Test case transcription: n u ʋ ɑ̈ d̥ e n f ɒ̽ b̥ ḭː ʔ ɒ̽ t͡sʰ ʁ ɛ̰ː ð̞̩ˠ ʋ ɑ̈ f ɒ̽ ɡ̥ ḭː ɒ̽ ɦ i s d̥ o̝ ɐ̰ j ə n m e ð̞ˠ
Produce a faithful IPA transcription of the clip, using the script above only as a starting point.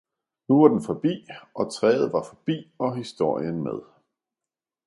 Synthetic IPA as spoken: n u ʋ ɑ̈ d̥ e n f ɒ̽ b̥ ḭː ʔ ɒ̽ t͡sʰ ʁ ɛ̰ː ð̞̩ˠ ʋ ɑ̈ f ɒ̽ b̥ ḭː ɒ̽ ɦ i s d̥ o̝ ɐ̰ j ə n m e ð̞ˠ